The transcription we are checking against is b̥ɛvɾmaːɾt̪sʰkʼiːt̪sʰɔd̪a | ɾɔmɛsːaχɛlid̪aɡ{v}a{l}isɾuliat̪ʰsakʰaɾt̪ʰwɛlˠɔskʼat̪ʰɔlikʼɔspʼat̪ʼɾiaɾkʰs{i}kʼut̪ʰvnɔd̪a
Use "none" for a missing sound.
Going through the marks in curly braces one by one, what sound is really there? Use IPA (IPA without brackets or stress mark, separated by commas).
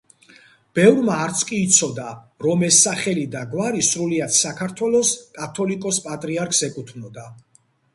w, ɾ, ɛ